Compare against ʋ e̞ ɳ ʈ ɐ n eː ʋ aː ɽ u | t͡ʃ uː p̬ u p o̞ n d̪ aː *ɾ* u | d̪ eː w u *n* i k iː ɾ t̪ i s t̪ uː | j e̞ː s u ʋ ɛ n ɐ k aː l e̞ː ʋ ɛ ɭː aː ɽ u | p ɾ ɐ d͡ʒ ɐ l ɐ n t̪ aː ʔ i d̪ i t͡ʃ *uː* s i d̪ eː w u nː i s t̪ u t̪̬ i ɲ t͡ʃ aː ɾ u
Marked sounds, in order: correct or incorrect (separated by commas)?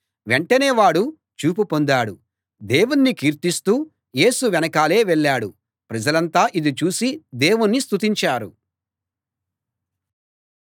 incorrect, incorrect, correct